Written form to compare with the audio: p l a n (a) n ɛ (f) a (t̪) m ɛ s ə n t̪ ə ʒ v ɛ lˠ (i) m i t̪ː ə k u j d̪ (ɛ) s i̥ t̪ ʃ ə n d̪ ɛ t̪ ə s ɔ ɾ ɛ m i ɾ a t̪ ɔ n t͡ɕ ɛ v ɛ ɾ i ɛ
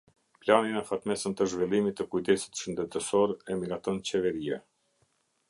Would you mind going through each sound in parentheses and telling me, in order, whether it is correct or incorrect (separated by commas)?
incorrect, correct, correct, correct, correct